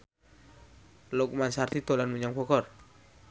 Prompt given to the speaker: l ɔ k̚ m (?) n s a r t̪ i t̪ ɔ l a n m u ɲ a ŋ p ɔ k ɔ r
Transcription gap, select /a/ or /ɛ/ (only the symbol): a